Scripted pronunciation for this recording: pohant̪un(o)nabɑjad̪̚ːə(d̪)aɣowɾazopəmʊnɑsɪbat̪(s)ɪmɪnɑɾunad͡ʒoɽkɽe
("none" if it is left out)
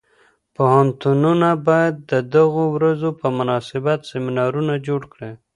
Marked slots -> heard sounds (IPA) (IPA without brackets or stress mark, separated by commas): u, d̪, s